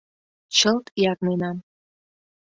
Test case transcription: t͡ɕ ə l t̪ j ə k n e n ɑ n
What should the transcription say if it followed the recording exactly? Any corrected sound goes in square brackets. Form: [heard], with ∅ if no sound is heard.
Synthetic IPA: t͡ɕ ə l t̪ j [ɑ] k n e n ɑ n